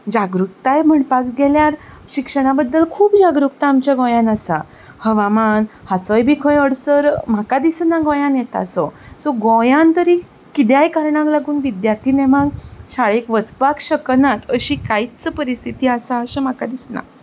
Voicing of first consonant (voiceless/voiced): voiced